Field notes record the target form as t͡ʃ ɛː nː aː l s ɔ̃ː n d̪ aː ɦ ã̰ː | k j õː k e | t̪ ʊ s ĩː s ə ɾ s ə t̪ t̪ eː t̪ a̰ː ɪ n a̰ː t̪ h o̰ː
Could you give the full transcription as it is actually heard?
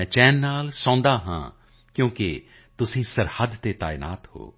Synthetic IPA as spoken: t͡ʃ ɛː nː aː l s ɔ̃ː n d̪ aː ɦ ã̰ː | k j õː k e | t̪ ʊ s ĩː s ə ɾ h ə d̪ t̪ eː t̪ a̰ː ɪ n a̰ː t̪ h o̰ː